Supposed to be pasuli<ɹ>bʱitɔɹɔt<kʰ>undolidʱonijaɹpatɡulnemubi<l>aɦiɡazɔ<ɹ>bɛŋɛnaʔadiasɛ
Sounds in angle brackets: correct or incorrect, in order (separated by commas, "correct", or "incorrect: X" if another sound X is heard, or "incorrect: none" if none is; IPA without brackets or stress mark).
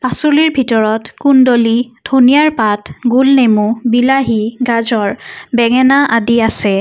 correct, incorrect: k, correct, correct